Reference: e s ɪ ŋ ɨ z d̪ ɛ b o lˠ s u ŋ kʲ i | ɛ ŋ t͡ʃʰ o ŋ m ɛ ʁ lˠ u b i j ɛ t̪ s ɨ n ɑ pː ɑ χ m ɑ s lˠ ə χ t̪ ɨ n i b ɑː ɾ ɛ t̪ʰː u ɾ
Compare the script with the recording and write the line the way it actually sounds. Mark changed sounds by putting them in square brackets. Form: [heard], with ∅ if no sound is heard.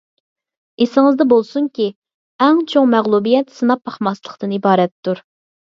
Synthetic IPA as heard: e s ɪ ŋ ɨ z d̪ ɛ b o lˠ s u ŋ kʲ i | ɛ ŋ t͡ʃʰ o ŋ m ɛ ʁ lˠ u b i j ɛ t̪ s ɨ n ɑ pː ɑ χ m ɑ s lˠ ə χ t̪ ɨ n i b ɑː ɾ ɛ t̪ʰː u ɾ